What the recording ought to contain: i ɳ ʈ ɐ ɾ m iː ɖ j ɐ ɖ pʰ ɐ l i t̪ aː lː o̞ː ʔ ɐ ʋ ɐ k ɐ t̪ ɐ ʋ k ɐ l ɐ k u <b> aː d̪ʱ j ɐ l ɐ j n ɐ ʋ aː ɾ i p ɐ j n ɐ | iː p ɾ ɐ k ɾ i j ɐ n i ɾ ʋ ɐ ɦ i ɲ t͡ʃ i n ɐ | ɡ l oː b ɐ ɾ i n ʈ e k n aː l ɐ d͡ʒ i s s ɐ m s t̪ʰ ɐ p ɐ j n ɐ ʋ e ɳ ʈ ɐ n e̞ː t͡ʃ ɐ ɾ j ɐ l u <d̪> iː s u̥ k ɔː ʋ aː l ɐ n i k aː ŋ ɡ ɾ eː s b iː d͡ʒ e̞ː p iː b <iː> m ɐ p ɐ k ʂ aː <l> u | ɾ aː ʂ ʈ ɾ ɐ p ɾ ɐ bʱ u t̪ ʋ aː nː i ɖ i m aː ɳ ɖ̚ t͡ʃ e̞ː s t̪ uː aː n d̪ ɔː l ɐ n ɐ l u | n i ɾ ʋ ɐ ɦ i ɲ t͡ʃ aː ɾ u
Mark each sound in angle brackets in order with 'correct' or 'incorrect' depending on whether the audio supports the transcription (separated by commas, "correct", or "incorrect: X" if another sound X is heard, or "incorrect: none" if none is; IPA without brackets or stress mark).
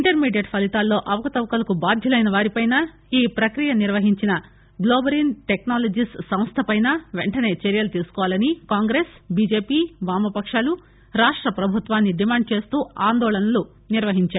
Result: correct, incorrect: t̪, incorrect: aː, correct